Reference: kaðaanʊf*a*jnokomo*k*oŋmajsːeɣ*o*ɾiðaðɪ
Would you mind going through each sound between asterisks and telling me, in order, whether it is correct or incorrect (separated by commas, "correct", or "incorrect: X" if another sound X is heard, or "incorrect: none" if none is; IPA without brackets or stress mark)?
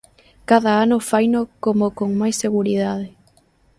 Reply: correct, correct, incorrect: u